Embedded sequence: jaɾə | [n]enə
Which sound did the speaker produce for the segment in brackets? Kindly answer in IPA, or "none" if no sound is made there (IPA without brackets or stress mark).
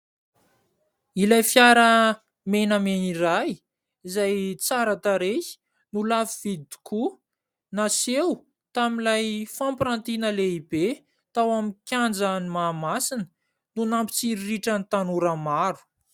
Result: m